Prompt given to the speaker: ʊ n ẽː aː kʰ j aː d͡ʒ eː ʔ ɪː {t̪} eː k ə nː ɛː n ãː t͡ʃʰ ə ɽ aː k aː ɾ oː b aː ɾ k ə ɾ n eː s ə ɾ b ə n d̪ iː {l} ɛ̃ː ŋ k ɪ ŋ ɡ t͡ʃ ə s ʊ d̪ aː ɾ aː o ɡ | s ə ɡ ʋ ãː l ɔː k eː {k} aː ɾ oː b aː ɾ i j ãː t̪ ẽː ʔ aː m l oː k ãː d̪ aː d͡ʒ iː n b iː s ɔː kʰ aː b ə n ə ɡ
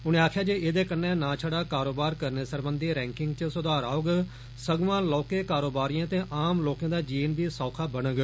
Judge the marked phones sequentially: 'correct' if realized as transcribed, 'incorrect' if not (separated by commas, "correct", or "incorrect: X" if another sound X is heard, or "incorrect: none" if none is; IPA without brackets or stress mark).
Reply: incorrect: d̪, incorrect: ɾ, correct